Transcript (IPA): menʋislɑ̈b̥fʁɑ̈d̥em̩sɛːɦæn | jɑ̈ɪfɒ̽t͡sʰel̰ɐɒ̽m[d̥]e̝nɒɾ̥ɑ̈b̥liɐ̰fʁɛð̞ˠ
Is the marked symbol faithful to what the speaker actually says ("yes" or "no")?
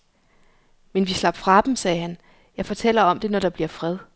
yes